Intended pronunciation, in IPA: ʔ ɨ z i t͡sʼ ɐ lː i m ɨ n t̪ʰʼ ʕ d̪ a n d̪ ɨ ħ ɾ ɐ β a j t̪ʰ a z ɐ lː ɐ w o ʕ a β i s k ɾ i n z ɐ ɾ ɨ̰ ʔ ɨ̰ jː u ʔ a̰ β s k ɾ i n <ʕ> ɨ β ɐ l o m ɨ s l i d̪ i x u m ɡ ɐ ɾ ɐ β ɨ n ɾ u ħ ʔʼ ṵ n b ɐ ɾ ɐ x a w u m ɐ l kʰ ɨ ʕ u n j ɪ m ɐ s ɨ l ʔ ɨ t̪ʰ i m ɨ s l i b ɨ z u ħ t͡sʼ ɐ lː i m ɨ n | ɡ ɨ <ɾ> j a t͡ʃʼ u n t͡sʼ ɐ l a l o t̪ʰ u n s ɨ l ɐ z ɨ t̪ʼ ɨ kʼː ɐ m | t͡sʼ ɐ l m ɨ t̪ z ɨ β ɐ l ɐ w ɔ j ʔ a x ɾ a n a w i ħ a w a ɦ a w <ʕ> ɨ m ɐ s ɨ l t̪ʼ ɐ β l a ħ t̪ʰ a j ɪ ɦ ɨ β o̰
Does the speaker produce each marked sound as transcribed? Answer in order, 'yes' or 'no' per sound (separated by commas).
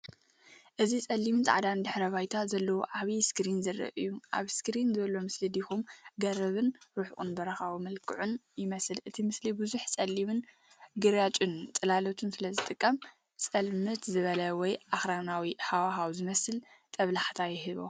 no, yes, no